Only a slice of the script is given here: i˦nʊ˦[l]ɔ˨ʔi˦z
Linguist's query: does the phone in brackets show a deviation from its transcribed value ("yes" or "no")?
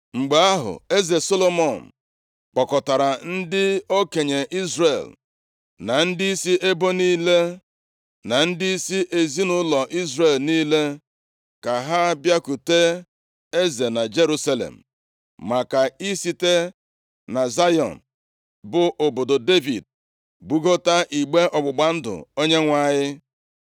no